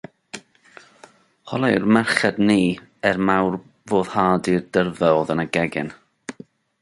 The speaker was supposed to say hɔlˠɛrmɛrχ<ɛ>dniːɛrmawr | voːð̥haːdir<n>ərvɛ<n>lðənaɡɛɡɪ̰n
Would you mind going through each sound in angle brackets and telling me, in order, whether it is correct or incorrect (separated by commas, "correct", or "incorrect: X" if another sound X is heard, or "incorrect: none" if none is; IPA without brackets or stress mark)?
correct, incorrect: d, incorrect: none